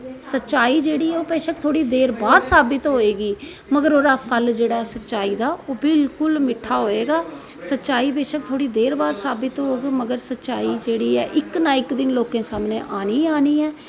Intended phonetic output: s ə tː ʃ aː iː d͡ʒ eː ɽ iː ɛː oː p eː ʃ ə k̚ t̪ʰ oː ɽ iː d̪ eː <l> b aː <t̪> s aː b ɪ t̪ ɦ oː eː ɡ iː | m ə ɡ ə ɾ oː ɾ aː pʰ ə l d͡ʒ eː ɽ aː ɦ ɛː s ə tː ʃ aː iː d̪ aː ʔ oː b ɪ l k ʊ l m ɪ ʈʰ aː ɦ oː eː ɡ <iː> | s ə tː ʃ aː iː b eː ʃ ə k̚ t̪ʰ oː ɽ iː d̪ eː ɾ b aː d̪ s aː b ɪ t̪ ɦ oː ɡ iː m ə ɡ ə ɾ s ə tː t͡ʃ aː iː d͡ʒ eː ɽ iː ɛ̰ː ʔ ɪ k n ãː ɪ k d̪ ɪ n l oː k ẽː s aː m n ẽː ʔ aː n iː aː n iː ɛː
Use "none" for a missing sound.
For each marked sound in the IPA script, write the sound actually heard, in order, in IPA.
ɾ, d̪, aː

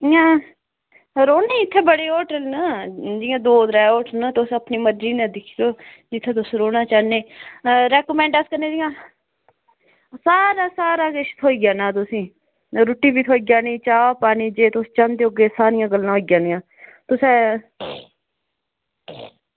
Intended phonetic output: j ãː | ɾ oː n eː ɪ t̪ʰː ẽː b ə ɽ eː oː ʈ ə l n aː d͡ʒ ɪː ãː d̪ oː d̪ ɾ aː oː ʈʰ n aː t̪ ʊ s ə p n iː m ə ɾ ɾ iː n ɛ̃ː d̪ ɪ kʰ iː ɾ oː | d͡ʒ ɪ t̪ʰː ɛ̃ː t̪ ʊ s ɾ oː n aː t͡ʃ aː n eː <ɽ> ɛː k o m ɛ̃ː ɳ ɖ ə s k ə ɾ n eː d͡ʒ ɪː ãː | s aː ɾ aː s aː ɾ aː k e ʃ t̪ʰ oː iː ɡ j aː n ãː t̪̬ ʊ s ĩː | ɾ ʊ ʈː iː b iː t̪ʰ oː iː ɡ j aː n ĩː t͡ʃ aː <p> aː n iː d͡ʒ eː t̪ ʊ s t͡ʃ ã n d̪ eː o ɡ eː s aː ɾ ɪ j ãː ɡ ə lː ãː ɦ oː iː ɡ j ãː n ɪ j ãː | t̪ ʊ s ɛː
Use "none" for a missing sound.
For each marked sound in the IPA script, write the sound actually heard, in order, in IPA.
ɾ, p

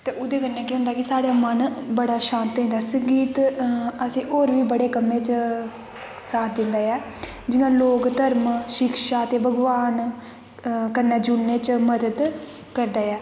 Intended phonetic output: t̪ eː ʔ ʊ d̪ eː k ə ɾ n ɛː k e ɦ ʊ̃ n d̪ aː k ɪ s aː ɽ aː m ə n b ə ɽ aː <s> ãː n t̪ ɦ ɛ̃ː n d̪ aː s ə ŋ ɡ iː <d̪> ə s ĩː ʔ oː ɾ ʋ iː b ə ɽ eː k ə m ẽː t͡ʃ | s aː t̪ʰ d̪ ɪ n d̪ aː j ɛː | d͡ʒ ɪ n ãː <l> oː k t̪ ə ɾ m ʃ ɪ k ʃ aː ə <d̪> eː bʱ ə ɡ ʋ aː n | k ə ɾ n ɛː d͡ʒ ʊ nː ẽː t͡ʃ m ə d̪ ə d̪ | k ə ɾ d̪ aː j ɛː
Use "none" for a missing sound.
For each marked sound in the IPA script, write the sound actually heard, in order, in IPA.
ʃ, t̪, l, t̪

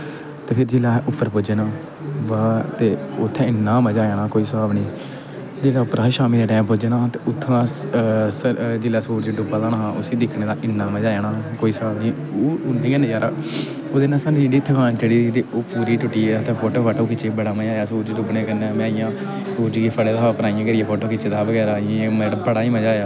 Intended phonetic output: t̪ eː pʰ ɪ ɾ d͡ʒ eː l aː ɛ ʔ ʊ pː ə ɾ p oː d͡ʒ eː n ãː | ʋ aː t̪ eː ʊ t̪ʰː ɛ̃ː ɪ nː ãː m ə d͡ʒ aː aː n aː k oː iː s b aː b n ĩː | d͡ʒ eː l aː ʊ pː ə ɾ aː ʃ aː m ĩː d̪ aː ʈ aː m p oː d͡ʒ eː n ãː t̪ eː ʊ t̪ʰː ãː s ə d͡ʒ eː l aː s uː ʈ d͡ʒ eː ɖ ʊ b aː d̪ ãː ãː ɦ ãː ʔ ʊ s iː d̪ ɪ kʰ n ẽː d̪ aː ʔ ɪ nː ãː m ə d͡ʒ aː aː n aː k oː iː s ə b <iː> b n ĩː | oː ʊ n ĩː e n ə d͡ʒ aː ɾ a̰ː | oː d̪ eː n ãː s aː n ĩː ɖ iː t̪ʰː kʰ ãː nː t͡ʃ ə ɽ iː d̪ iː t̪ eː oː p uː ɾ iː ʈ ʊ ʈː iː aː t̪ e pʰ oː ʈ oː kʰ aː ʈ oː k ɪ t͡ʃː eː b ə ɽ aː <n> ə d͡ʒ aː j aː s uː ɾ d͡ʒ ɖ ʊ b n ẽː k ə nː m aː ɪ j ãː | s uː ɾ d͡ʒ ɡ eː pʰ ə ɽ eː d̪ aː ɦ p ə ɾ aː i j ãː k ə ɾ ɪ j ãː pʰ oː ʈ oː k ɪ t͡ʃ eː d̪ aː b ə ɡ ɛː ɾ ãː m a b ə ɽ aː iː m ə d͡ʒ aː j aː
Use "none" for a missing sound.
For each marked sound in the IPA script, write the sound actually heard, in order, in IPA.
aː, m

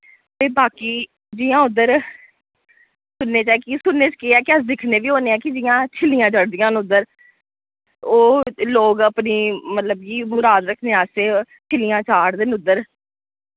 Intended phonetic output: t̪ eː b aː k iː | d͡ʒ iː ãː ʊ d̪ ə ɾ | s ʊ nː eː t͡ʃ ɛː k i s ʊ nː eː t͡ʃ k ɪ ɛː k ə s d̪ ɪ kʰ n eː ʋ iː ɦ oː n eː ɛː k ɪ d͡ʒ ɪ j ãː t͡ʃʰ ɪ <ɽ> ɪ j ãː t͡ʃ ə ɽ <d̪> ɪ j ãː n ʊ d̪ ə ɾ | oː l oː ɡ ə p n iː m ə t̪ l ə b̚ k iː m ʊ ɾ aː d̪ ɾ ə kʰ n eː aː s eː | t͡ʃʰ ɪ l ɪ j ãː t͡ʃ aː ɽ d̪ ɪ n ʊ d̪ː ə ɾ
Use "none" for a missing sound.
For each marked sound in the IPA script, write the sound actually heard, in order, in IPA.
l, d̪

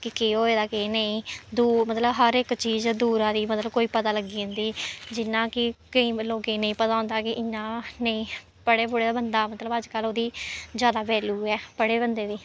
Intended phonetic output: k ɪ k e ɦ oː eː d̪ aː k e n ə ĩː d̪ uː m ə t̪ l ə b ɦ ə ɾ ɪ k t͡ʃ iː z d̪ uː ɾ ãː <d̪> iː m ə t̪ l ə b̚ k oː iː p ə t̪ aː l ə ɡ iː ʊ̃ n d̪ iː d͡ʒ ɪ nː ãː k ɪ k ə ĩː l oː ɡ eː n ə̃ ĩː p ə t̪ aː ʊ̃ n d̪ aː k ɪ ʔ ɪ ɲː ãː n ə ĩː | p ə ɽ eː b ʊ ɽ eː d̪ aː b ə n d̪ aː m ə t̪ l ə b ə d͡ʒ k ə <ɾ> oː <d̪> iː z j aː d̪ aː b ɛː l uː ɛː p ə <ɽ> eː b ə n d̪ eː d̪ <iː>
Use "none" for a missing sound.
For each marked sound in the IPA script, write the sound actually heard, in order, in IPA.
d̪, l, d̪, ɽ, iː

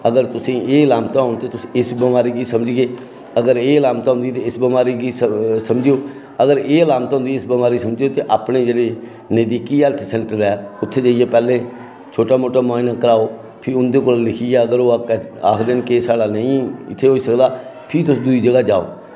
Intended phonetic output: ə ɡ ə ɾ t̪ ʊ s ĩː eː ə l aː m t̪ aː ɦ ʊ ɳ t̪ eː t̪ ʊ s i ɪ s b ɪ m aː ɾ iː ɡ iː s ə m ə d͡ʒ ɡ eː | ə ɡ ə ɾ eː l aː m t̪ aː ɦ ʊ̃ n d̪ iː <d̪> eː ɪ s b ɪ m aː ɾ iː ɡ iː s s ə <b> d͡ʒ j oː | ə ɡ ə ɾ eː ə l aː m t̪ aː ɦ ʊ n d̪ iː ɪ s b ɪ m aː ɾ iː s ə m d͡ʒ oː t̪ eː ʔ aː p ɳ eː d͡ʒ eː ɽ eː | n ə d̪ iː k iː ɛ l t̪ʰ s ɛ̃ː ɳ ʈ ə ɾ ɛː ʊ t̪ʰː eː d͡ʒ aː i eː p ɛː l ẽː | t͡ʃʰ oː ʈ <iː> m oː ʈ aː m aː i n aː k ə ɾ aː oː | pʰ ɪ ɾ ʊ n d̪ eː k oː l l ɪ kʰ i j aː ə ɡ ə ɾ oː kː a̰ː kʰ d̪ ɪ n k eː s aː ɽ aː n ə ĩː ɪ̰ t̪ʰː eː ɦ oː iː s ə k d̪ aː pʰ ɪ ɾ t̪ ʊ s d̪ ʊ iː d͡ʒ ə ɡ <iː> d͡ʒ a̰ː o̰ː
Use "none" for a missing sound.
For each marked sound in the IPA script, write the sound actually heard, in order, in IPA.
t̪, m, aː, aː

